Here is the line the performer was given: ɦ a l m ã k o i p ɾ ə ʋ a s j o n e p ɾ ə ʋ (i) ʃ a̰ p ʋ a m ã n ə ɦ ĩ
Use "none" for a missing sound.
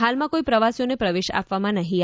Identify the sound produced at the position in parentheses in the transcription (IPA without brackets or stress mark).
e